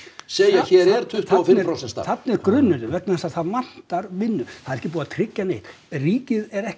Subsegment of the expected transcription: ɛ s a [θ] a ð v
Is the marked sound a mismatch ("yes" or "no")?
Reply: no